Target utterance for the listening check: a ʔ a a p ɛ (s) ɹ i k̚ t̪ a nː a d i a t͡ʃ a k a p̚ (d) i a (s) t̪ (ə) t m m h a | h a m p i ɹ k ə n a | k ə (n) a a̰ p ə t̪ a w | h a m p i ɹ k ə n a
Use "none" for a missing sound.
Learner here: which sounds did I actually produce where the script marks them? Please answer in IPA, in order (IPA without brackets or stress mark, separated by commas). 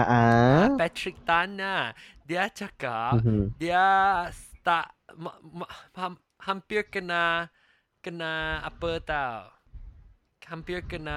t, d, s, a, n